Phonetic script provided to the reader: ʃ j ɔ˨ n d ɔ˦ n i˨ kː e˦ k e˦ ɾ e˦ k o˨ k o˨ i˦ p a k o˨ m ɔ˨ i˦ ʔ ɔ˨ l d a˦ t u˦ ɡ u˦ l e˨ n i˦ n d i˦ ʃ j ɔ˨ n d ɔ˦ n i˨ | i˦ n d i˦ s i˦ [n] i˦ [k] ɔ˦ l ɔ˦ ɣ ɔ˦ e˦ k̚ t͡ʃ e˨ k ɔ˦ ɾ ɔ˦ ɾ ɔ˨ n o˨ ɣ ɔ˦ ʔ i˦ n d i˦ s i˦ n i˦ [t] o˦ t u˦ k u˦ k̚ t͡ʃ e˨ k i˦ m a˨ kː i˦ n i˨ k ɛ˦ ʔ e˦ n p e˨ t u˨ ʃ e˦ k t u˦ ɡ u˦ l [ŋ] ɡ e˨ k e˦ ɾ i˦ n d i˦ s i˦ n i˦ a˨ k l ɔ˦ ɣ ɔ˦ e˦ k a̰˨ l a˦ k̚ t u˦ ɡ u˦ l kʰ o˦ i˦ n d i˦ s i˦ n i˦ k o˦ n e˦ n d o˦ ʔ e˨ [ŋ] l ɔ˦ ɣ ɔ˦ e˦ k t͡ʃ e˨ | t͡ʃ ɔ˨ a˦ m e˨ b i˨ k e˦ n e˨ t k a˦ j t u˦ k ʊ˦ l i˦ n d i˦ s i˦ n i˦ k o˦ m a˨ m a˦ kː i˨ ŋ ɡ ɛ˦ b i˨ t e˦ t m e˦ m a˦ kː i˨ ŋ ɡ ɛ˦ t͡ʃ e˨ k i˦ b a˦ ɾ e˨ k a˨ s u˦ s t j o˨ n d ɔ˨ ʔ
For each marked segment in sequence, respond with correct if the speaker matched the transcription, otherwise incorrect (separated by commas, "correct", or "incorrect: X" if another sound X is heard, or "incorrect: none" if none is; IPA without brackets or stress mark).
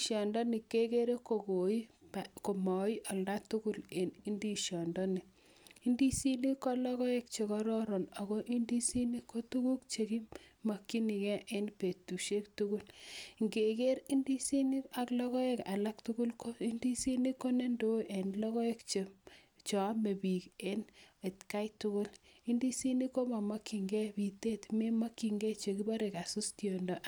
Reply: correct, correct, incorrect: k, correct, incorrect: n